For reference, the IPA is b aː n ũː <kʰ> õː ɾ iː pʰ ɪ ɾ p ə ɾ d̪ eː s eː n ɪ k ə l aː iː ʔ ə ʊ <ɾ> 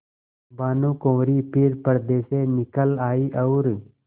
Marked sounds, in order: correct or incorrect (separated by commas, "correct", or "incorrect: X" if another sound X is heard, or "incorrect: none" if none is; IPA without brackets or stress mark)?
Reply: incorrect: k, correct